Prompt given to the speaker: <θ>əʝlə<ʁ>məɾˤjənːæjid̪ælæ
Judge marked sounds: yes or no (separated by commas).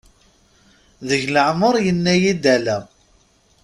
no, no